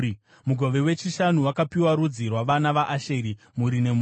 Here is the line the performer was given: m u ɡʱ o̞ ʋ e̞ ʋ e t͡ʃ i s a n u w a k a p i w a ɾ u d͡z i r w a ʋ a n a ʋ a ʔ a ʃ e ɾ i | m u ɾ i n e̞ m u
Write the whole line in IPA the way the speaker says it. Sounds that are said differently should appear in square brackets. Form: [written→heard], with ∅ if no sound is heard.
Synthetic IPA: m u ɡʱ o̞ ʋ e̞ [ʋ→w] e t͡ʃ i [s→ʃ] a n u w a k a p i w a ɾ u d͡z i r w a ʋ a n a ʋ a ʔ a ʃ e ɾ i | m u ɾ i n e̞ m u